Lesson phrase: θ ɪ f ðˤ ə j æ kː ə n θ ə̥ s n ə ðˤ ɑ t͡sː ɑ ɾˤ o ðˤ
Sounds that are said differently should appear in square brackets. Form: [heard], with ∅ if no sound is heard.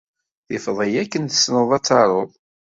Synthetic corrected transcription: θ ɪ f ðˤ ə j æ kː ə n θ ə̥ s n ə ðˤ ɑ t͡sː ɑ ɾˤ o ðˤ

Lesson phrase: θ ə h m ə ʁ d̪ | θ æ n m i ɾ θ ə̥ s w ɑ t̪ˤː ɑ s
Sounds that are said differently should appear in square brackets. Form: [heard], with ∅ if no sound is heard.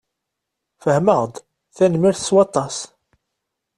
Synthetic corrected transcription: [f] ə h m ə ʁ d̪ | θ æ n m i ɾ θ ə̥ s w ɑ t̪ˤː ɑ s

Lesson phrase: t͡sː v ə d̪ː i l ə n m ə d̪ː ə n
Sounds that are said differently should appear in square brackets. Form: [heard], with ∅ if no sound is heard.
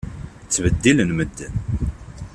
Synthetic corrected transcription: t͡sː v ə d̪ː i l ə n m ə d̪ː ə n

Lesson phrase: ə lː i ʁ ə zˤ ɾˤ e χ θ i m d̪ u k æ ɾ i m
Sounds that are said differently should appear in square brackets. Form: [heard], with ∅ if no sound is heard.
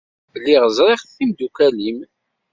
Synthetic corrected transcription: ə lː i ʁ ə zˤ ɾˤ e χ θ i m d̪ u k æ [l] i m

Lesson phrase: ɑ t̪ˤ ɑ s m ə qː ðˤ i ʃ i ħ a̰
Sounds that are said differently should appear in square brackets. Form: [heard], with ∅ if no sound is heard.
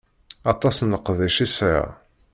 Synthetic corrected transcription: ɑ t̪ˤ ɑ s [n] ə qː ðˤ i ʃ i [s] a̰

